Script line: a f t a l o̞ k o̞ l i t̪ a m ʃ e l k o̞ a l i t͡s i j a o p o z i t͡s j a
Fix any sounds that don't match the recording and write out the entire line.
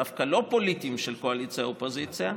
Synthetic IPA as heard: a f k a l o̞ p o̞ l i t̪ i m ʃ e l k o̞ a l i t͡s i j a o p o z i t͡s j a